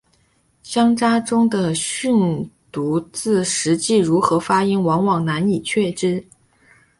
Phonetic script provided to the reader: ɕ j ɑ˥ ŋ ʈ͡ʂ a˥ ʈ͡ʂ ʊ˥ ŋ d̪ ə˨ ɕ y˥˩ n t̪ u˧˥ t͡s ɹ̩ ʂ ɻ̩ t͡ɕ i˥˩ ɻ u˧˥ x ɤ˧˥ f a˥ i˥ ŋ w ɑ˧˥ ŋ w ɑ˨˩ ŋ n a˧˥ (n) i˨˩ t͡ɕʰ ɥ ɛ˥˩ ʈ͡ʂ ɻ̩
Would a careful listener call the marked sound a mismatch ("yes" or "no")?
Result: no